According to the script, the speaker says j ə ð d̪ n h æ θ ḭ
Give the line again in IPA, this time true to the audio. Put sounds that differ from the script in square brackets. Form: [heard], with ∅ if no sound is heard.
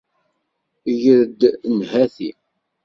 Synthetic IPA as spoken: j ə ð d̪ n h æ θ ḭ